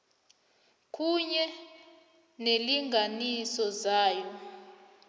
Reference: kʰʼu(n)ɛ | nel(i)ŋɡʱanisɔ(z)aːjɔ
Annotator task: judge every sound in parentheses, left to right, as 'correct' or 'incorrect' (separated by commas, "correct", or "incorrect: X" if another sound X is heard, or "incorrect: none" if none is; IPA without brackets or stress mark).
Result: incorrect: ɲ, correct, correct